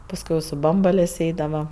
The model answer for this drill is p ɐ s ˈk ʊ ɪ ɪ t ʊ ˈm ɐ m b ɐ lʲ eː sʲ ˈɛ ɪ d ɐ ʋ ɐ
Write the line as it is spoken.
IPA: p ɐ s ˈk ʊ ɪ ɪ s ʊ ˈb ɐ m b ɐ lʲ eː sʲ ˈɛ ɪ d ɐ ʋ ɐ